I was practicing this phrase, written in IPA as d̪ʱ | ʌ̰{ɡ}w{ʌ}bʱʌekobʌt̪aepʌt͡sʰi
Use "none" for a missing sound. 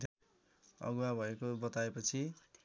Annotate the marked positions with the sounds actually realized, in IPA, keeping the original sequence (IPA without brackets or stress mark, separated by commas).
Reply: ɡ, a